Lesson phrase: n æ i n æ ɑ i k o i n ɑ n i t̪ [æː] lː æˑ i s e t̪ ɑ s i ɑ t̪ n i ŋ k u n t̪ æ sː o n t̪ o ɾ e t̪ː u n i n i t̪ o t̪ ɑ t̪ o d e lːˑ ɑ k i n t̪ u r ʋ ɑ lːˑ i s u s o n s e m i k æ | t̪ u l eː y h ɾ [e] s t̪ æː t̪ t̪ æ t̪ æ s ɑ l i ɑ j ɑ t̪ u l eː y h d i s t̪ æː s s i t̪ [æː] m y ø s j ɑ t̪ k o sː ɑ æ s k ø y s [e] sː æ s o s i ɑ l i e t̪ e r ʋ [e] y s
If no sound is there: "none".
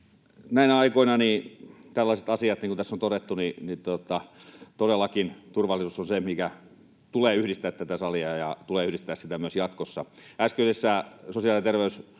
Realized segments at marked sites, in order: æ, i, æ, e, e

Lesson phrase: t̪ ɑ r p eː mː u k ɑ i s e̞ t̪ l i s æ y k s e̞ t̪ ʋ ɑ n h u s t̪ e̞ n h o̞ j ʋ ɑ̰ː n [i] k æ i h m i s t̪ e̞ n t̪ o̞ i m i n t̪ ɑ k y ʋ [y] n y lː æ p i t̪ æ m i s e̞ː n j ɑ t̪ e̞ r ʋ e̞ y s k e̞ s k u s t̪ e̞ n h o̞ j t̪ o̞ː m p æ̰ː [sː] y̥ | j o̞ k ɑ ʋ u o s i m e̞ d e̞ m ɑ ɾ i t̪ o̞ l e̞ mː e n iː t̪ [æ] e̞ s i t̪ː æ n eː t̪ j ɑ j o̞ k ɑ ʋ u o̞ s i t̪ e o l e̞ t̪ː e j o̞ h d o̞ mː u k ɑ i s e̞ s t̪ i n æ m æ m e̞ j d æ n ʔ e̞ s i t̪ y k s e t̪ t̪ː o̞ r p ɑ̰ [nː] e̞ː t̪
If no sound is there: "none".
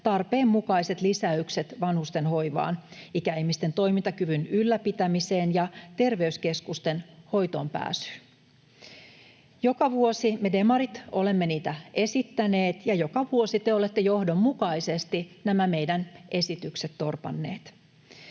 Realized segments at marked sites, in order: i, y, s, æ, nː

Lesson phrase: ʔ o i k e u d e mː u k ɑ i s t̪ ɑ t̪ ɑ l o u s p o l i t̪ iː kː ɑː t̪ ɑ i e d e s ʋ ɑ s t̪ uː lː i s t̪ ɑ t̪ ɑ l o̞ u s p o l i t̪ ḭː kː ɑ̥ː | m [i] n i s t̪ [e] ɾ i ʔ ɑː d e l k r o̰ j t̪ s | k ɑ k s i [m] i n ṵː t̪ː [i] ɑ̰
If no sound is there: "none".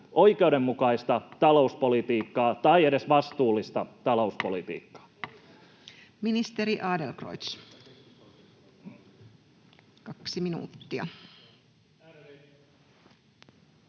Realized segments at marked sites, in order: i, e, m, i

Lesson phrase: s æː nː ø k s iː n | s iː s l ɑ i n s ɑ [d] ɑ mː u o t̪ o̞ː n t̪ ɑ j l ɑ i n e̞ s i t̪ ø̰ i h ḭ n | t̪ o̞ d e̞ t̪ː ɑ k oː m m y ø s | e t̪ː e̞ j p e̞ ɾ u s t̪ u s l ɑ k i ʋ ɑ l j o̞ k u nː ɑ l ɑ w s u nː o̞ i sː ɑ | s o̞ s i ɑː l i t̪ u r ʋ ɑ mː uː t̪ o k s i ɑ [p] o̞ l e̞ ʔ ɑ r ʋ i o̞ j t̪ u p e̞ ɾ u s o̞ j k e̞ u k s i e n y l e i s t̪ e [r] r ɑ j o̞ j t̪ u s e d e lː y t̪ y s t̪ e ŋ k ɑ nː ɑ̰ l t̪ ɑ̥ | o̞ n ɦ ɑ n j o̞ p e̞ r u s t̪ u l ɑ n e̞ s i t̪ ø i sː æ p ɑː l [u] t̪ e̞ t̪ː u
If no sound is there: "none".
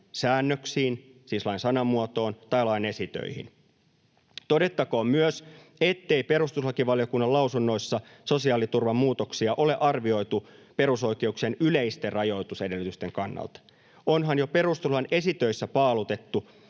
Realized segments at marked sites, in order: n, ʔ, r, u

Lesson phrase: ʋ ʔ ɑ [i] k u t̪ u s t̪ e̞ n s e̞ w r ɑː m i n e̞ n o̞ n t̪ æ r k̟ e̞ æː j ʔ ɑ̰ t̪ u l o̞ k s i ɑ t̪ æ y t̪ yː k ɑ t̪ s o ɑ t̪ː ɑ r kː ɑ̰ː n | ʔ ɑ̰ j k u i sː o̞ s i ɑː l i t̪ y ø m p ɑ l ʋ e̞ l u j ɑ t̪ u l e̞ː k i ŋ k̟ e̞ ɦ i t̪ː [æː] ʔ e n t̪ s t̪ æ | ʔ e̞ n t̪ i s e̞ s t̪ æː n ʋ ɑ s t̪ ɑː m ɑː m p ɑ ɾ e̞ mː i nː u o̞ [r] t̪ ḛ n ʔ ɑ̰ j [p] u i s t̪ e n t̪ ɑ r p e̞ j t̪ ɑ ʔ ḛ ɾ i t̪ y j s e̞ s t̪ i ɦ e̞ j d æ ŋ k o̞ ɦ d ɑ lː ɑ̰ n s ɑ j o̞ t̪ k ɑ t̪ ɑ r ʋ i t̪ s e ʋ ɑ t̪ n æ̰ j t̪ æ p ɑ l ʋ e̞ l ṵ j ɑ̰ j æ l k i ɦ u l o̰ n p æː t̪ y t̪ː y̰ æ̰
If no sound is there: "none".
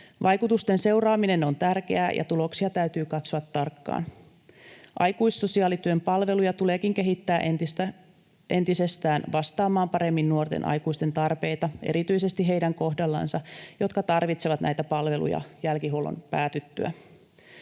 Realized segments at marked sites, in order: j, æː, r, k

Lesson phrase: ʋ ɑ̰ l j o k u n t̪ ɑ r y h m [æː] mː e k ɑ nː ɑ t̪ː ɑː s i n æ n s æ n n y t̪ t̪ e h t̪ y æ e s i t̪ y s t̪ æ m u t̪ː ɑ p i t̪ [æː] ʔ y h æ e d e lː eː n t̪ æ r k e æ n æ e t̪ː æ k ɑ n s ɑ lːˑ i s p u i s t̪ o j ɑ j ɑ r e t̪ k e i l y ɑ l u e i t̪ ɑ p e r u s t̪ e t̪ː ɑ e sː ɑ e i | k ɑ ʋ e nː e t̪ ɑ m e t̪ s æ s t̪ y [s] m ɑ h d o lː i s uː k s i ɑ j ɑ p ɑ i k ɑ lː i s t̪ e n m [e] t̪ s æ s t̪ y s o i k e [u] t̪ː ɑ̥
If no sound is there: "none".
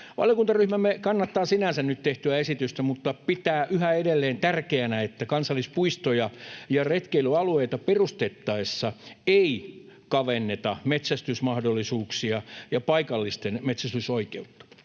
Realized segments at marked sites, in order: æ, æː, s, e, u

